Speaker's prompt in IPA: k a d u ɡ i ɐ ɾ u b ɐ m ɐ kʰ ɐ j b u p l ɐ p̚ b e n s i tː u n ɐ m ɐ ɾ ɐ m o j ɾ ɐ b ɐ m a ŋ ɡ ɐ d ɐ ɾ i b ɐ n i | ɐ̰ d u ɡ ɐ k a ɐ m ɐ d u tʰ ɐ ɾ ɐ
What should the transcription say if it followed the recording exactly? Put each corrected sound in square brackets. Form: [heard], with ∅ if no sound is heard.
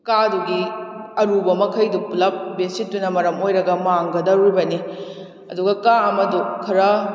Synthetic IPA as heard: k a d u ɡ i ɐ ɾ u b ɐ m ɐ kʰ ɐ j [d] u p l ɐ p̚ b e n s i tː u n ɐ m ɐ ɾ ɐ m o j ɾ ɐ [ɡ] ɐ m a ŋ ɡ ɐ d ɐ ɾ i b ɐ n i | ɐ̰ d u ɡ ɐ k a ɐ m ɐ d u [kʰ] ɐ ɾ ɐ